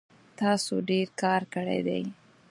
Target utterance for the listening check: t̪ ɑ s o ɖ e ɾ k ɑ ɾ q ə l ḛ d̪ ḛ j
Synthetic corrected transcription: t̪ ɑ s o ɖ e ɾ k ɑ ɾ k ə ɽ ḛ d̪ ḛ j